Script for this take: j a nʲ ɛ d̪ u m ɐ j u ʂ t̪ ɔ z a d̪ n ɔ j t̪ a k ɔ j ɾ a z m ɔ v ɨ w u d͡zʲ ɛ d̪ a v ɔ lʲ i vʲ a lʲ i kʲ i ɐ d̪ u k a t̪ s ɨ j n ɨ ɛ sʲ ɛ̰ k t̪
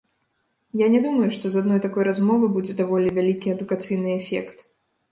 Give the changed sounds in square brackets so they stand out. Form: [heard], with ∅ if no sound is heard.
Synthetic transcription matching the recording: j a nʲ ɛ d̪ u m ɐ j u ʂ t̪ ɔ z a d̪ n ɔ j t̪ a k ɔ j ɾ a z m ɔ v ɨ [b] u d͡zʲ ɛ d̪ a v ɔ lʲ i vʲ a lʲ i kʲ i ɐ d̪ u k a t̪ s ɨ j n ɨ ɛ [fʲ] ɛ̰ k t̪